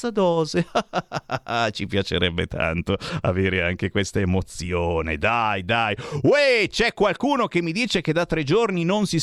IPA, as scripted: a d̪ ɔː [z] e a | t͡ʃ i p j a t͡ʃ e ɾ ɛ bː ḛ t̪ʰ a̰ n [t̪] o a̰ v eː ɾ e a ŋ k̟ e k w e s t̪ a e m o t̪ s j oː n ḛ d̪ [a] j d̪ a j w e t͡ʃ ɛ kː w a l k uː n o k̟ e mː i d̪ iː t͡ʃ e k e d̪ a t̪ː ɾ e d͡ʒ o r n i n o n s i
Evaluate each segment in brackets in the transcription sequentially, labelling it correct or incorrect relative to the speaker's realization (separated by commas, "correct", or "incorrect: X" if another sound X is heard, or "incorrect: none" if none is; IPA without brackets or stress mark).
correct, correct, correct